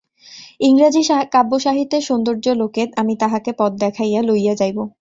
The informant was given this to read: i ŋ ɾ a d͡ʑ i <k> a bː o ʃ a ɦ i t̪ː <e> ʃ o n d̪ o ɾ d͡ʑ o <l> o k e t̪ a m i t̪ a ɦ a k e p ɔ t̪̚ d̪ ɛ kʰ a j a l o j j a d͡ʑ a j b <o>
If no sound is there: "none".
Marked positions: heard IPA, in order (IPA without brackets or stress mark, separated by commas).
k, e, l, o